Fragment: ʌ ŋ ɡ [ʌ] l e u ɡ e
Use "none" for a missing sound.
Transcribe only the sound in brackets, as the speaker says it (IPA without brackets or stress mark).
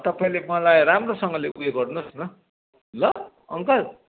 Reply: ʌ